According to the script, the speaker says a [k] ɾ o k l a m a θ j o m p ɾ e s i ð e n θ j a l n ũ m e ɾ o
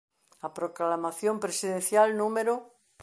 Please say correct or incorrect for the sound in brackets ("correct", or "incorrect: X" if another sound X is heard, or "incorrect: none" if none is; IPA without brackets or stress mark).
incorrect: p